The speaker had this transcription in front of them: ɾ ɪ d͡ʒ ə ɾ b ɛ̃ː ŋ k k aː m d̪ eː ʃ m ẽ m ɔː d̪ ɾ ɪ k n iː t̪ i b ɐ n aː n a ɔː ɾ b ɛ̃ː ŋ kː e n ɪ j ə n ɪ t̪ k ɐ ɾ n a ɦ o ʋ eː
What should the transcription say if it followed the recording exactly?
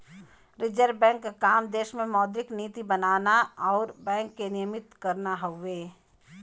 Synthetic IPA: ɾ ɪ d͡ʒ ə ɾ b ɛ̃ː ŋ k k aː m d̪ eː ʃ m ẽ m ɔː d̪ ɾ ɪ k n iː t̪ i b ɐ n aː n a ɔː ɾ b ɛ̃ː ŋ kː e n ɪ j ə m ɪ t̪ k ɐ ɾ n a ɦ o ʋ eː